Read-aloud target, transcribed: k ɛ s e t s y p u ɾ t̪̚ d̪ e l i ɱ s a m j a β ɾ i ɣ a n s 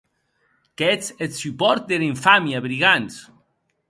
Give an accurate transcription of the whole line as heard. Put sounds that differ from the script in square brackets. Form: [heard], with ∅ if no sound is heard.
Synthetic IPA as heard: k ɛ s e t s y p [ɔ] ɾ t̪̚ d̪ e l i ɱ [f] a m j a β ɾ i ɣ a n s